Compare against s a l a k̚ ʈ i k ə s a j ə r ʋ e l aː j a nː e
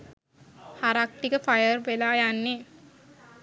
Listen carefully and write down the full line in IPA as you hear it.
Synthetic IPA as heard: h a ɾ a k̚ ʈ i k ə f a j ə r ʋ e l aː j a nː e